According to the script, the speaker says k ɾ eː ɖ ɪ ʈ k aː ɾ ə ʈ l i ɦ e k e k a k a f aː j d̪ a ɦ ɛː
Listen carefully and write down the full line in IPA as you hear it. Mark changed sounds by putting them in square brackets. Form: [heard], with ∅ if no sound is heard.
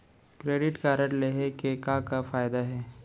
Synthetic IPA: k ɾ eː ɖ ɪ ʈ k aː ɾ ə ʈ l [e] ɦ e k e k a k a f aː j d̪ a ɦ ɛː